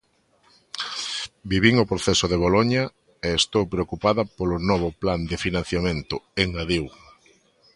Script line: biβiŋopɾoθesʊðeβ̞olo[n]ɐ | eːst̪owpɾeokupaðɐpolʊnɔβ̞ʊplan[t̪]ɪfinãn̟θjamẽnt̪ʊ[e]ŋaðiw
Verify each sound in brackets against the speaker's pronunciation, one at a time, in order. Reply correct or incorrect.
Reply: incorrect, incorrect, correct

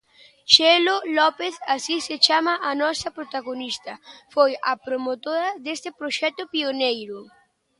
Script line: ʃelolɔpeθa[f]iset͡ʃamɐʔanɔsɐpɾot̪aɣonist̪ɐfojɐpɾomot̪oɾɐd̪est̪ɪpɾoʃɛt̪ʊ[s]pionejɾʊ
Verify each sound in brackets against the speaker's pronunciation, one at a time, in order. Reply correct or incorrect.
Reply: incorrect, incorrect

